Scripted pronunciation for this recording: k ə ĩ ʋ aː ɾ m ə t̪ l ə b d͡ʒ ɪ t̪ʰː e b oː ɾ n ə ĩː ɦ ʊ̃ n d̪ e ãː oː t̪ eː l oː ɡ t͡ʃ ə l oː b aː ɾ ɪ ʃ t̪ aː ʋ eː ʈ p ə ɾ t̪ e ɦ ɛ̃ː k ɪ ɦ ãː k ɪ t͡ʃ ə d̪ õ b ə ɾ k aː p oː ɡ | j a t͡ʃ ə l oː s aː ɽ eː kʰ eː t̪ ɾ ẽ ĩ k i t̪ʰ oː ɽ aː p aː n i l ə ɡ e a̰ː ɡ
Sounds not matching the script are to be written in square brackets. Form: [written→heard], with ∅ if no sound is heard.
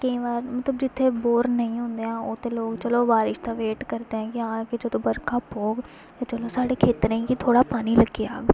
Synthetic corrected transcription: k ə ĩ ʋ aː ɾ m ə t̪ l ə b d͡ʒ ɪ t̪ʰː e b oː ɾ n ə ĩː ɦ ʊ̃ n d̪ e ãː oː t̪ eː l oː ɡ t͡ʃ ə l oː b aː ɾ ɪ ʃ t̪ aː ʋ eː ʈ [p→k] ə ɾ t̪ e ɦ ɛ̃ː k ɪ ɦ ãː k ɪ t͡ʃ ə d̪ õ b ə ɾ k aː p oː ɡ | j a t͡ʃ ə l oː s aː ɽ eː kʰ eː t̪ ɾ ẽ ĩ k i t̪ʰ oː ɽ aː p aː n i l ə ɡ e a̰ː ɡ